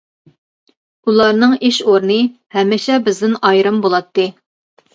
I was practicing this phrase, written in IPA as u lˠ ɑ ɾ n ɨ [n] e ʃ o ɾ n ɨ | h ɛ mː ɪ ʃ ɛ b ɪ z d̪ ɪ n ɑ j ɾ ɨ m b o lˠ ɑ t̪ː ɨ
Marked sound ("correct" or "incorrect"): incorrect